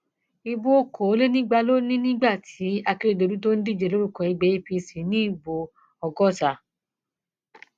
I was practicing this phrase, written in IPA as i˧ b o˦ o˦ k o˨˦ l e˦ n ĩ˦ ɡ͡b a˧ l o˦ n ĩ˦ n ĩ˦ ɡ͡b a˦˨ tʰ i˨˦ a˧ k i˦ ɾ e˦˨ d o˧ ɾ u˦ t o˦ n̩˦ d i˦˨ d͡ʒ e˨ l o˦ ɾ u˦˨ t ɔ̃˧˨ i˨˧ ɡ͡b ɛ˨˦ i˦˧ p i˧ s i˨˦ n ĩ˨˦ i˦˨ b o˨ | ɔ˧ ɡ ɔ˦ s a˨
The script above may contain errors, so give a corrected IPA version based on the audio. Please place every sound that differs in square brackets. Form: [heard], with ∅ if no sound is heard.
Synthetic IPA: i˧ b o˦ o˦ k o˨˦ l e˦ n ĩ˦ ɡ͡b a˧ l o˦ n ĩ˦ n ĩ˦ ɡ͡b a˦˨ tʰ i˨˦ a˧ k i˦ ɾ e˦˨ d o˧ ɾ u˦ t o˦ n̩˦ d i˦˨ d͡ʒ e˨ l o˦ ɾ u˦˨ [k] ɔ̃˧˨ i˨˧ ɡ͡b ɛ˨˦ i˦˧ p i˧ s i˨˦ n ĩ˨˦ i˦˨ b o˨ | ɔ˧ ɡ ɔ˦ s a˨